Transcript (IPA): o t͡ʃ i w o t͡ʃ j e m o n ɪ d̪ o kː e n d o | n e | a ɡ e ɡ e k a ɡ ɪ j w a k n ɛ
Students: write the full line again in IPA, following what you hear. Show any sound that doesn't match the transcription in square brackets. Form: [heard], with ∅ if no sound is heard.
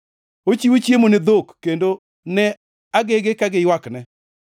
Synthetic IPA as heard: o t͡ʃ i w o t͡ʃ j e m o n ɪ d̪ o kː e n d o | n [ɛ] | a ɡ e ɡ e k a ɡ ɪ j w a k n ɛ